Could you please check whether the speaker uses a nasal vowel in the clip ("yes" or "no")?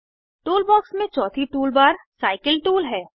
yes